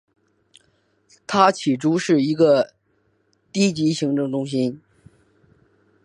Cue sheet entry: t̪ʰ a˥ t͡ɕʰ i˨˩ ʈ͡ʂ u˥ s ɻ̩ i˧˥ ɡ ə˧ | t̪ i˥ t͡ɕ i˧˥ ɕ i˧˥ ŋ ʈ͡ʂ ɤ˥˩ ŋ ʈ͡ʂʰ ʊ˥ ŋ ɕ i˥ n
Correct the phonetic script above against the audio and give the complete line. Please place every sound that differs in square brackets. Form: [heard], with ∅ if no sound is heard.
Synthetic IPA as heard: t̪ʰ a˥ t͡ɕʰ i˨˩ ʈ͡ʂ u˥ [ʂ] ɻ̩ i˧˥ ɡ ə˧ | t̪ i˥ t͡ɕ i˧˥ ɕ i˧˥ ŋ ʈ͡ʂ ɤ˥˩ ŋ [ʈ͡ʂ] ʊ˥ ŋ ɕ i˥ n